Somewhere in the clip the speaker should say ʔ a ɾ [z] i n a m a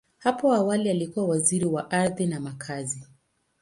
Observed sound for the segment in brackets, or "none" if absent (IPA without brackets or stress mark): ð